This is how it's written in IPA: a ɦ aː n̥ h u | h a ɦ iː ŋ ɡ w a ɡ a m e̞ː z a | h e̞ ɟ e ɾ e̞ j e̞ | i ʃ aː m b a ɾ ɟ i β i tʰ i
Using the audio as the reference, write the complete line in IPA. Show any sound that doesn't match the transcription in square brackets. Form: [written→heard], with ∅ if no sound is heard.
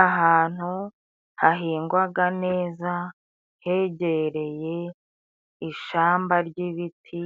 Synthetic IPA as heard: a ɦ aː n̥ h u | h a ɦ iː ŋ ɡ w a ɡ a [m→n] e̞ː z a | h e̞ ɟ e ɾ e̞ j e̞ | i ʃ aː m b a ɾ ɟ i β i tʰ i